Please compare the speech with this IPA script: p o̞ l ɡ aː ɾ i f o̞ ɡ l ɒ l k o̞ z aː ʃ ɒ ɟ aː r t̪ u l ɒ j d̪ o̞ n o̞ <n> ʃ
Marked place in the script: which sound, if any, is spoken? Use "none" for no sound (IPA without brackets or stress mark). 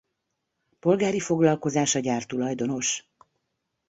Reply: none